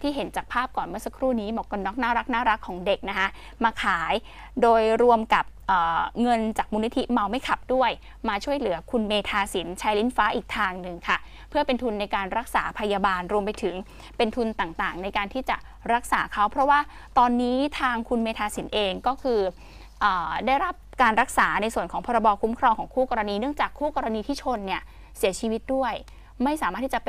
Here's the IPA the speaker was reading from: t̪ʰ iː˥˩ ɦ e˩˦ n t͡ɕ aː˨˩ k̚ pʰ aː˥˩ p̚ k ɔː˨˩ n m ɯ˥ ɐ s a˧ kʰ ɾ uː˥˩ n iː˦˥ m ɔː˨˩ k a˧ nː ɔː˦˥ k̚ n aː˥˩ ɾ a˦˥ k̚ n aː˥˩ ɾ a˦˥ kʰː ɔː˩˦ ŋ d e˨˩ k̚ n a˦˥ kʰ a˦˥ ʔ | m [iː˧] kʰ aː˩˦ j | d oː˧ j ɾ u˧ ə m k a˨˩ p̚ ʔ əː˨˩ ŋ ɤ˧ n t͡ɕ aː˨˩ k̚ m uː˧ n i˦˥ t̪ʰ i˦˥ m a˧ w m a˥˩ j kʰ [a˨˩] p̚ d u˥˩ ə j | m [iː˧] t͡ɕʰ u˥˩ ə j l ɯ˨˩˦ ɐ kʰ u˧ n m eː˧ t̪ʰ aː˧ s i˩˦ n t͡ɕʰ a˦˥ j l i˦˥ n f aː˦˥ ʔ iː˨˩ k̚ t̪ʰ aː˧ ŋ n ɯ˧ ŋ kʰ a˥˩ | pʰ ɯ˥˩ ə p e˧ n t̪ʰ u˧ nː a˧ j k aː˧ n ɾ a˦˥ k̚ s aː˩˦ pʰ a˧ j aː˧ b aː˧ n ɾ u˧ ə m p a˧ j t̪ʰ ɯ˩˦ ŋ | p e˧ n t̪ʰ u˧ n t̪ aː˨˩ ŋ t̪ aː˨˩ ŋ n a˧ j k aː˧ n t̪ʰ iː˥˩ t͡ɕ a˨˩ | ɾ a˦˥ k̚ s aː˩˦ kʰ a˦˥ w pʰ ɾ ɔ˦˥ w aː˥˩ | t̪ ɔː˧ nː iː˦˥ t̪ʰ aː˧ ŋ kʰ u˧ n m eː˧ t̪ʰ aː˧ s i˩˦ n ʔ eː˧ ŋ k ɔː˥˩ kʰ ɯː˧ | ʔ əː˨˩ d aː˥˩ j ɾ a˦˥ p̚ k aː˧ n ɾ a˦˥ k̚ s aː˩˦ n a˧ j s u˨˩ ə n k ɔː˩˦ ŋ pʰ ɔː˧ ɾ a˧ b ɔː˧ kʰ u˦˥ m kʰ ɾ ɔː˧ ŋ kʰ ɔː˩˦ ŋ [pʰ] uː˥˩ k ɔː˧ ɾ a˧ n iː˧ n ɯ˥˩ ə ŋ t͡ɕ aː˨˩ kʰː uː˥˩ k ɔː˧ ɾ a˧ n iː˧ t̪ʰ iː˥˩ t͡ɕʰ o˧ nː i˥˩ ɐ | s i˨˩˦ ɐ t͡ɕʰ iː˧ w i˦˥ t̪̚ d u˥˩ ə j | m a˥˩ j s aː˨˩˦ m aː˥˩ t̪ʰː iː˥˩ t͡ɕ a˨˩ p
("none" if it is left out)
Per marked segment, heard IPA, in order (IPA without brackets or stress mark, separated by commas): aː˧, a˨˩, aː˧, kʰ